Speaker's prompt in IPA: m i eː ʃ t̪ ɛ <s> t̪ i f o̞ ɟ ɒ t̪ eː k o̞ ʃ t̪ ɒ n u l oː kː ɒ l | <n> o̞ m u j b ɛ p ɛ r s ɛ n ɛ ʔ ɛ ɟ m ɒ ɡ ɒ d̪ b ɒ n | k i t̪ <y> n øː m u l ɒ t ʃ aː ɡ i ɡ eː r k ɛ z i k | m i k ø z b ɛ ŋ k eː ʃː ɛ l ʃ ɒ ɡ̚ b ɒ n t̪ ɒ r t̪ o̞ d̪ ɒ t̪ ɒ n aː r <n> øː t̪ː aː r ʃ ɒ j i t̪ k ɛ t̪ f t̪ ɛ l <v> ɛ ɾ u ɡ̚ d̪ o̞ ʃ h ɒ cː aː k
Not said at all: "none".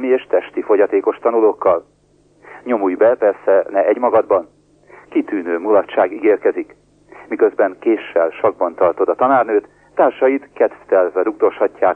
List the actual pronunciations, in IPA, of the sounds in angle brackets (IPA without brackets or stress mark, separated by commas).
ʃ, ɲ, yː, n, v